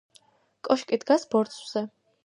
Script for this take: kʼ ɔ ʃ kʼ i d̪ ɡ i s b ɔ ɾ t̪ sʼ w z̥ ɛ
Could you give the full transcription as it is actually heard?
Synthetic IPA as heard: kʼ ɔ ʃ kʼ i d̪ ɡ a s b ɔ ɾ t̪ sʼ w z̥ ɛ